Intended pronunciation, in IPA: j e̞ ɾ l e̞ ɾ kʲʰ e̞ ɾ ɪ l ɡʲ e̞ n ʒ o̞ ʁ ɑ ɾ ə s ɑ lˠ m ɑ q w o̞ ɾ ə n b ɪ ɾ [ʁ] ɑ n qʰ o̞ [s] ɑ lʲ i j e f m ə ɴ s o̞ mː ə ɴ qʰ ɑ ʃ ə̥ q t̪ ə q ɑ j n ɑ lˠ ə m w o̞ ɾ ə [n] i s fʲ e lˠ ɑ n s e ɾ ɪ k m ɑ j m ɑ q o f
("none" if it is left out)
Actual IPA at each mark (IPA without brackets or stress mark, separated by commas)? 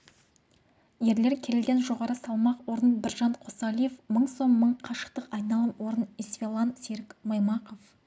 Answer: ʒ, s, n